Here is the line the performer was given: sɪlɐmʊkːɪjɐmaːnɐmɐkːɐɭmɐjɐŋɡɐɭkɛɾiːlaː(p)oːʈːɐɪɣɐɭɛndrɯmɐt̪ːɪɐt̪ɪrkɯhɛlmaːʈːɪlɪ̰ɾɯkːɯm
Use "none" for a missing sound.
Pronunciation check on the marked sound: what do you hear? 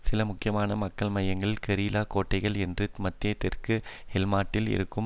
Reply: k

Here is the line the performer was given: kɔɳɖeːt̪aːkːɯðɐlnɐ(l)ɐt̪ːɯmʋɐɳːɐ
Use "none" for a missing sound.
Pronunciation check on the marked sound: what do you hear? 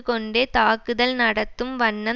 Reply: ɽ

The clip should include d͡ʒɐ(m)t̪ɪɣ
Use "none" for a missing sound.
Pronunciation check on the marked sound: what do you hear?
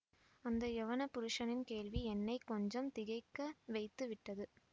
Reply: m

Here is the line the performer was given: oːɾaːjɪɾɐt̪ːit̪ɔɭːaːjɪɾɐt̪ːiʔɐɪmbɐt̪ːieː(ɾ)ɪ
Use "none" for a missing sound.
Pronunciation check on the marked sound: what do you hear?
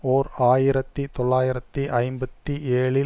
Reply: ɭ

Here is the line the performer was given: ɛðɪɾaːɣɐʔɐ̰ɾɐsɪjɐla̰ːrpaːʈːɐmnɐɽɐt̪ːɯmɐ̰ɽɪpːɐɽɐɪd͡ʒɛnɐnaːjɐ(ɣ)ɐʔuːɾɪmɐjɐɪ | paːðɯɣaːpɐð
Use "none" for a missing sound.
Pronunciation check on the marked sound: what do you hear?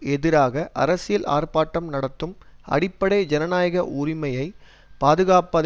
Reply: ɣ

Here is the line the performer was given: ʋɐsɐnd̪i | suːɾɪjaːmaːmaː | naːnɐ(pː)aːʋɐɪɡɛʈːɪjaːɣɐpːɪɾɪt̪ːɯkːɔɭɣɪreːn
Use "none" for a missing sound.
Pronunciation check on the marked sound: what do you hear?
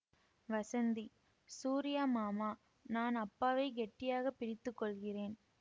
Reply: pː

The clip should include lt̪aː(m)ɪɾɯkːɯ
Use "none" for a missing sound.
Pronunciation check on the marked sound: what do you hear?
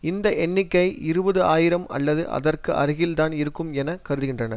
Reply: n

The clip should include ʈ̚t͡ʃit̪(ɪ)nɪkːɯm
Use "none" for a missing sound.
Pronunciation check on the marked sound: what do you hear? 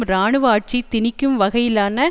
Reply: ɪ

